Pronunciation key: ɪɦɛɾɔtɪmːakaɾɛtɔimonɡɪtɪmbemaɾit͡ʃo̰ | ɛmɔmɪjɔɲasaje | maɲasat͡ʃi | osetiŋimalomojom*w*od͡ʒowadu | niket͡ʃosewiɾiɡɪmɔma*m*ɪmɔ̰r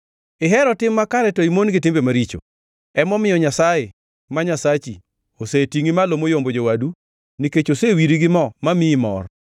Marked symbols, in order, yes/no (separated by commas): no, yes